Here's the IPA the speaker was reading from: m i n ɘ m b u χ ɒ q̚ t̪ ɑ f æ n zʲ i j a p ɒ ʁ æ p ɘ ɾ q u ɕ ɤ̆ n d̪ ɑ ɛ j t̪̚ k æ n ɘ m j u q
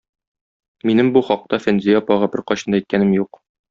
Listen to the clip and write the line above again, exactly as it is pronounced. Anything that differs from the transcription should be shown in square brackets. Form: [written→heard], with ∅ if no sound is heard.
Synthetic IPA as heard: m i n ɘ m b u χ ɒ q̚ t̪ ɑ f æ n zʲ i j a p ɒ ʁ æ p ɘ ɾ q [u→ɒ] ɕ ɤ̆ n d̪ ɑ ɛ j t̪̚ k æ n ɘ m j u q